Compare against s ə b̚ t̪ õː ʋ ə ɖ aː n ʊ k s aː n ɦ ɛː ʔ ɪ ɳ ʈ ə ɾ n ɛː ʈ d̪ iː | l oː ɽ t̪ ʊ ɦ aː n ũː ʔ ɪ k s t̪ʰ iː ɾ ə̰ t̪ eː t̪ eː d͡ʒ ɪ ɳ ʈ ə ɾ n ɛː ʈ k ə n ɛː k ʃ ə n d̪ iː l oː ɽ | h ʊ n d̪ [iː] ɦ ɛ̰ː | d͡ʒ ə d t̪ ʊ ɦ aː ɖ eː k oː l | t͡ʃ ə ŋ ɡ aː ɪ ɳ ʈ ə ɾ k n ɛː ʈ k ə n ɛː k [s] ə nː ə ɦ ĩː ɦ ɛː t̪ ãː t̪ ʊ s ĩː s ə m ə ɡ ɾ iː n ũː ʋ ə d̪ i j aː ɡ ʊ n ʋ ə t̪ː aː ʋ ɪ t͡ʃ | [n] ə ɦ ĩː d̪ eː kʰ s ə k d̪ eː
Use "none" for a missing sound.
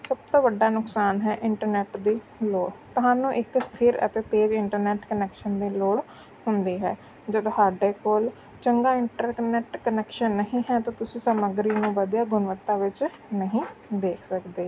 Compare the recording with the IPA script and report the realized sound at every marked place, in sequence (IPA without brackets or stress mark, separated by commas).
iː, ʃ, n